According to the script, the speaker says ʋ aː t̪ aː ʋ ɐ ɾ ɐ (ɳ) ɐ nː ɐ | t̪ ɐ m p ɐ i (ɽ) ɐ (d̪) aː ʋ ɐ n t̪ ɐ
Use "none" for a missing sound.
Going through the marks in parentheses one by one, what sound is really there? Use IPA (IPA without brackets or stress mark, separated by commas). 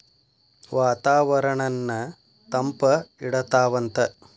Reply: ɳ, ɽ, t̪